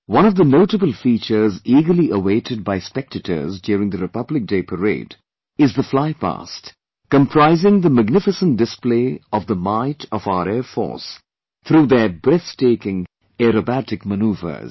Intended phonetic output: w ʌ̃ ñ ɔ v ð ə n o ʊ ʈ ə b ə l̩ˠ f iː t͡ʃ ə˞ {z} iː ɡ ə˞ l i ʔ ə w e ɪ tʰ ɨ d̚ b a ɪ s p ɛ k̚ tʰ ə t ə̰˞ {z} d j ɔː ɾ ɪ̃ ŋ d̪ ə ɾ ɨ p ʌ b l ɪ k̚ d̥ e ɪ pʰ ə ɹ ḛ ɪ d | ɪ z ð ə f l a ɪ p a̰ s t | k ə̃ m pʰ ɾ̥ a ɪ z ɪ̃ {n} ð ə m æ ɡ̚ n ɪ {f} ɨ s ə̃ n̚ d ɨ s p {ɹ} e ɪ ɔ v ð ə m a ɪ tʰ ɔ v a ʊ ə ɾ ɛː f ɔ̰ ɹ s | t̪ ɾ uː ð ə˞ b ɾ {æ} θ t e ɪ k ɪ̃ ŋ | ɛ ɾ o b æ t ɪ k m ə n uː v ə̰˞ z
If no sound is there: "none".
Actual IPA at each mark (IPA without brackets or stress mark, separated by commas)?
z, z, ŋ, f, l, ɛ